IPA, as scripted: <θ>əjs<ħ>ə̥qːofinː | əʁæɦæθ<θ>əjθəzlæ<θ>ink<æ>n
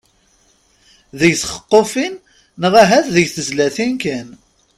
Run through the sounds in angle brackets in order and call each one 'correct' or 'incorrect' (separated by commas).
incorrect, incorrect, incorrect, correct, correct